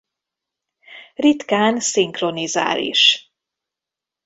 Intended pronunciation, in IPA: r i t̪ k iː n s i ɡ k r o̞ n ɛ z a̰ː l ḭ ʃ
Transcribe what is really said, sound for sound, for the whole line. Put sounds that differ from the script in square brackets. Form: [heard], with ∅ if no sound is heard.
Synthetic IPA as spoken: r i t̪ k [aː] n s i [ŋ] k r o̞ n [i] z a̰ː l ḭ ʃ

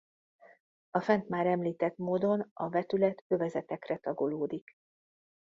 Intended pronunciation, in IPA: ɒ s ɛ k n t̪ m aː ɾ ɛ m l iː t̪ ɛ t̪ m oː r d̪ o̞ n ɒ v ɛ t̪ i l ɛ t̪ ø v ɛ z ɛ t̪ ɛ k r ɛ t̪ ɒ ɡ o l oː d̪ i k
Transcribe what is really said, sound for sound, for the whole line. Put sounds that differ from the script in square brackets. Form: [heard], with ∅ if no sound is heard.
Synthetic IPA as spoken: ɒ [f] ɛ [∅] n t̪ m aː ɾ ɛ m l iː t̪ ɛ t̪ m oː [∅] d̪ o̞ n ɒ v ɛ t̪ [y] l ɛ t̪ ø v ɛ z ɛ t̪ ɛ k r ɛ t̪ ɒ ɡ o l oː d̪ i k

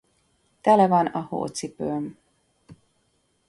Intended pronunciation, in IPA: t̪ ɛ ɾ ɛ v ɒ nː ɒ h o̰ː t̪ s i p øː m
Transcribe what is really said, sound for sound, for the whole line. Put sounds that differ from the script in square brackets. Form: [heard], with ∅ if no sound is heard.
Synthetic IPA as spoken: t̪ ɛ [l] ɛ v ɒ [n] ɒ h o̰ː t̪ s i p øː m

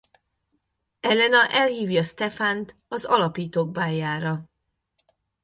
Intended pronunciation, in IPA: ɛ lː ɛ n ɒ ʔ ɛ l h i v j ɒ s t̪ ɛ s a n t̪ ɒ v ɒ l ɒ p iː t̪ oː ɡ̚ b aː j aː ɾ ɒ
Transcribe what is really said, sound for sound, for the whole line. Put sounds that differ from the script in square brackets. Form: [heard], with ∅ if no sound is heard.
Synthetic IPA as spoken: ɛ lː ɛ n ɒ ʔ ɛ l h [iː] v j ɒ s t̪ ɛ [f] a n t̪ ɒ [z] ɒ l ɒ p iː t̪ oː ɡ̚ b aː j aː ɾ ɒ

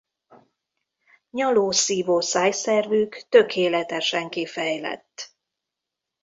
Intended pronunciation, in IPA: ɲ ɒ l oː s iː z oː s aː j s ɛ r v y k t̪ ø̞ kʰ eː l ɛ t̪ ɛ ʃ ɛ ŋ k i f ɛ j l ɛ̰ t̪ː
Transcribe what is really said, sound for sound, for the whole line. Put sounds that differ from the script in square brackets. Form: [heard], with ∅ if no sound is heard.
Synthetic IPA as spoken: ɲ ɒ l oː s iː [v] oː s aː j s ɛ r v y k t̪ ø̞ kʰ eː l ɛ t̪ ɛ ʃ ɛ ŋ k i f ɛ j l ɛ̰ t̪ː

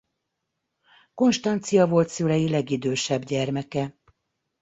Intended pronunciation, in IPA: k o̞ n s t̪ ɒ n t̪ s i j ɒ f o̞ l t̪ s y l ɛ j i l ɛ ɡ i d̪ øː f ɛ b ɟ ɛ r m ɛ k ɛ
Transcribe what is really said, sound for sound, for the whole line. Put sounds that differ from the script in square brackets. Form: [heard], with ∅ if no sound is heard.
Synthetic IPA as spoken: k o̞ n [ʃ] t̪ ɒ n t̪ s i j ɒ [v] o̞ l t̪ s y l ɛ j i l ɛ ɡ i d̪ øː [ʃ] ɛ b ɟ ɛ r m ɛ k ɛ

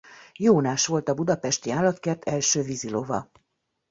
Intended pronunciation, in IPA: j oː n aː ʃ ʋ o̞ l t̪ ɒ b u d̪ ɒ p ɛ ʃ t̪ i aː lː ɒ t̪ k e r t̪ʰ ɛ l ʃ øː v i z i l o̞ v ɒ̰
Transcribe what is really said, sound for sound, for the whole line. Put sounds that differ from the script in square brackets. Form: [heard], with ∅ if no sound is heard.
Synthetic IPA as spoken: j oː n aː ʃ ʋ o̞ l t̪ ɒ b u d̪ ɒ p ɛ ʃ t̪ i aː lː ɒ t̪ k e r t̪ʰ ɛ l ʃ øː v i z i l o̞ v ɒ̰

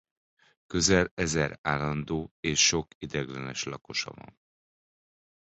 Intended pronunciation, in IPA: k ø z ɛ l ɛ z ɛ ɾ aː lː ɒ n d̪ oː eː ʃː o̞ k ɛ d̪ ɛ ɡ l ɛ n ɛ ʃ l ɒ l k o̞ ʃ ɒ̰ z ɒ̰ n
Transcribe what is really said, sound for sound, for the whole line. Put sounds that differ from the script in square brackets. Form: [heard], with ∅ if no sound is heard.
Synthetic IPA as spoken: k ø z ɛ l ɛ z ɛ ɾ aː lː ɒ n d̪ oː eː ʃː o̞ k [i] d̪ ɛ ɡ l ɛ n ɛ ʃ l ɒ [∅] k o̞ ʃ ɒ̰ [v] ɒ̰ n

